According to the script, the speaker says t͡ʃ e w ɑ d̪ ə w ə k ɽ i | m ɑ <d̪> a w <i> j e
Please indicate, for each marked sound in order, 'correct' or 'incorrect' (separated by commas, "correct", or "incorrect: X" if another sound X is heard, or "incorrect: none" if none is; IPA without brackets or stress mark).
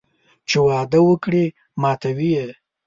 incorrect: t̪, correct